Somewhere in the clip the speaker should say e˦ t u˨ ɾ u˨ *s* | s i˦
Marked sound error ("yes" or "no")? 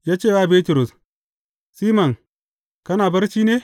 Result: no